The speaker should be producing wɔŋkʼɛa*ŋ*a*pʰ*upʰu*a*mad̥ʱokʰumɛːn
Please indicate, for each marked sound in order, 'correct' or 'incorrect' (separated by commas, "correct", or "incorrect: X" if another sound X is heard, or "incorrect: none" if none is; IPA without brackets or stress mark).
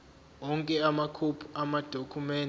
incorrect: m, incorrect: kʰ, correct